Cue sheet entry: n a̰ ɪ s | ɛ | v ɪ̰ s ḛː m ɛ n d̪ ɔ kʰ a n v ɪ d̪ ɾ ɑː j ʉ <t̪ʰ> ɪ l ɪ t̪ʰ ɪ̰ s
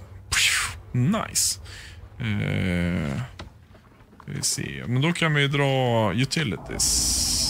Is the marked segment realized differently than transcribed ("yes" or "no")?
no